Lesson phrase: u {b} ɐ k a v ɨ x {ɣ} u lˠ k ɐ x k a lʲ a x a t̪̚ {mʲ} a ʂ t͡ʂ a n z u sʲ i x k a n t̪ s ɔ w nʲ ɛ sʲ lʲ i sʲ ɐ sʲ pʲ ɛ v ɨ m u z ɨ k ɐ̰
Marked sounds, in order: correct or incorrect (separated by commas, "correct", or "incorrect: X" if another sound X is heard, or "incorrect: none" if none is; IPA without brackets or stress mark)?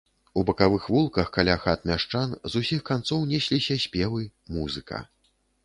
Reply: correct, incorrect: v, correct